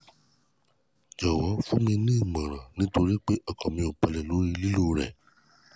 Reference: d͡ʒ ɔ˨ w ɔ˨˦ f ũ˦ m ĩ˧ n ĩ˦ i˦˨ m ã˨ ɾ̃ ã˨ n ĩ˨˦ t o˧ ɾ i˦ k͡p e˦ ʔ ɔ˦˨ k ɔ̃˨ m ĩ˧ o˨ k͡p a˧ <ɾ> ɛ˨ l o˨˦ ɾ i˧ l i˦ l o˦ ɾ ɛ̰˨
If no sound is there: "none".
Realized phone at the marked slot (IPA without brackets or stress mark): l